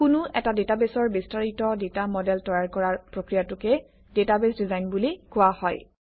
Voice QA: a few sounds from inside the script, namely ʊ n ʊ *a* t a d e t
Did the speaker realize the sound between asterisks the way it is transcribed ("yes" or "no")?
no